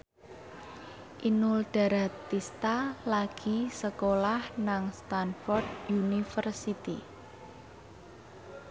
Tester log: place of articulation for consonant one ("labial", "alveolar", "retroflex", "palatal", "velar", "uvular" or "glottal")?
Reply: glottal